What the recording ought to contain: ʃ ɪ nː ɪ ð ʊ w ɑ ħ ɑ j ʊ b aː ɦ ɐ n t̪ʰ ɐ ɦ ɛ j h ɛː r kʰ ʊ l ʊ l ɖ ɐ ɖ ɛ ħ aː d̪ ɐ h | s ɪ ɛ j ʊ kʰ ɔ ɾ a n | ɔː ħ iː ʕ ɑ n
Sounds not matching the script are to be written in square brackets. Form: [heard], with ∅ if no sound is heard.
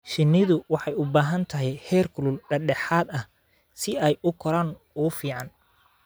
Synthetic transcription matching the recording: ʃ ɪ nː ɪ ð ʊ w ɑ ħ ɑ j ʊ b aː ɦ ɐ n t̪ʰ ɐ ɦ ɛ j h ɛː r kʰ ʊ l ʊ l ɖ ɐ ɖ ɛ ħ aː d̪ ɐ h | s ɪ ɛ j ʊ kʰ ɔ ɾ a n | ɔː [f] iː ʕ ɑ n